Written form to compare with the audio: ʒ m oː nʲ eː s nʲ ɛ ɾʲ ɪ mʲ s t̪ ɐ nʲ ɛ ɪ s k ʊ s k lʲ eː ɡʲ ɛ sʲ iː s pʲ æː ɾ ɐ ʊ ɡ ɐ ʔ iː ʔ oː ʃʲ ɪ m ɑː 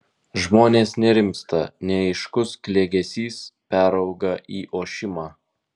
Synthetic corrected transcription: ʒ m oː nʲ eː s nʲ ɛ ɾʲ ɪ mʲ s t̪ ɐ nʲ ɛ ɪ ʃ k ʊ s k lʲ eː ɡʲ ɛ sʲ iː s pʲ æː ɾ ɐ ʊ ɡ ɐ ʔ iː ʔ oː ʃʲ ɪ m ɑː